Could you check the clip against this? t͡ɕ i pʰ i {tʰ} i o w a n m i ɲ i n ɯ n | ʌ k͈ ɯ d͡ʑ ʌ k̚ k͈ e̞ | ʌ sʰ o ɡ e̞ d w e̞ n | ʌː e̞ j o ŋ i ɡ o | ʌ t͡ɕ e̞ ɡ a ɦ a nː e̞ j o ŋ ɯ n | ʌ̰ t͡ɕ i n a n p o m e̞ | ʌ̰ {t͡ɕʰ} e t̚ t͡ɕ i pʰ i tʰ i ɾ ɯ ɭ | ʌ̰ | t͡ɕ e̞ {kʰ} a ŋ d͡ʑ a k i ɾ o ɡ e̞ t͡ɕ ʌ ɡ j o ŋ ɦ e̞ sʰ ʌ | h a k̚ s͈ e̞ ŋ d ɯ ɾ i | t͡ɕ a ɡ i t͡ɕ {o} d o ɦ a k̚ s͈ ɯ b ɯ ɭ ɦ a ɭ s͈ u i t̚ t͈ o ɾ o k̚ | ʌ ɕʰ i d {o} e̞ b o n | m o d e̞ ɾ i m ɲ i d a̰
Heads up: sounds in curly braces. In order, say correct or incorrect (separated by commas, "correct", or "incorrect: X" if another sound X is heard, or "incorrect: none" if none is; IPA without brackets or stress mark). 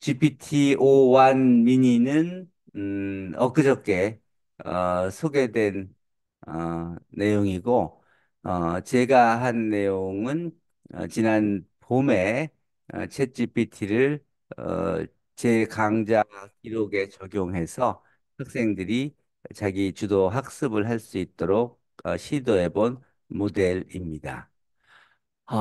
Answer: correct, correct, incorrect: k, incorrect: u, correct